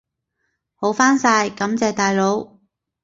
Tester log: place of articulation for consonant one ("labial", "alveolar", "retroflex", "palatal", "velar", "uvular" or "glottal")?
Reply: glottal